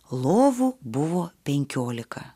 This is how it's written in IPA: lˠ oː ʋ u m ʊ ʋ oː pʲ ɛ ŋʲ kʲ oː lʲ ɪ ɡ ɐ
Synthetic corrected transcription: lˠ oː ʋ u b ʊ ʋ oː pʲ ɛ ŋʲ kʲ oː lʲ ɪ k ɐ